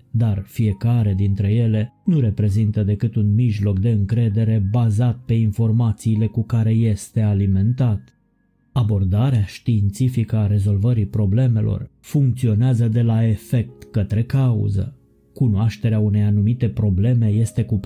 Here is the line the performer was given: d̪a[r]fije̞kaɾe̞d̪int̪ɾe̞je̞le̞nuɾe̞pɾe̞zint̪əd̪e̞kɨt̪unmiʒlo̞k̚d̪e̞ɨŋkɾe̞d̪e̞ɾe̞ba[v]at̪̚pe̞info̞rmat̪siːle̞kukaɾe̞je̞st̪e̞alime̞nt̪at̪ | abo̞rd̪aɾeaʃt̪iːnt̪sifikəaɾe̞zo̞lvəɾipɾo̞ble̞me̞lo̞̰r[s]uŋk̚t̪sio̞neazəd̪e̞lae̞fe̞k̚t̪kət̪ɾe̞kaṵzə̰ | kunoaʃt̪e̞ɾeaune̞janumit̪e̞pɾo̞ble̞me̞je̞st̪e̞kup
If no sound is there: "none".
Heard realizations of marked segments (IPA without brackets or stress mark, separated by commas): r, z, f